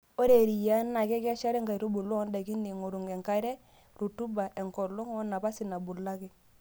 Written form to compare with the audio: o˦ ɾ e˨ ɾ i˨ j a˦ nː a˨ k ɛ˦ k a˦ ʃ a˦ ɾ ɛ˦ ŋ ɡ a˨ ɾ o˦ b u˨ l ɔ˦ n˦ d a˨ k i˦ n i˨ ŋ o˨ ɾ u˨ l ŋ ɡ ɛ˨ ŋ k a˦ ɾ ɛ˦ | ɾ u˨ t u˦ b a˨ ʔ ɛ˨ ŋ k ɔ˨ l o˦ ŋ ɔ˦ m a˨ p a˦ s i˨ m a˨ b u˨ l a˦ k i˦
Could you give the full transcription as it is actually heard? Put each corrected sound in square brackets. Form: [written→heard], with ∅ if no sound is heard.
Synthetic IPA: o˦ ɾ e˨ ɾ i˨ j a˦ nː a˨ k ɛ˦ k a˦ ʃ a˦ ɾ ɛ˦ ŋ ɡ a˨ ɾ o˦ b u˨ l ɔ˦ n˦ d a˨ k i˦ n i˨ ŋ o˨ ɾ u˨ [l→∅] ŋ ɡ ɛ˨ ŋ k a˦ ɾ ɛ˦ | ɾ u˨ t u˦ b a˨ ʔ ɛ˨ ŋ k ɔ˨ l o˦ ŋ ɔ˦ [m→n] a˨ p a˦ s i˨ [m→n] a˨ b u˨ l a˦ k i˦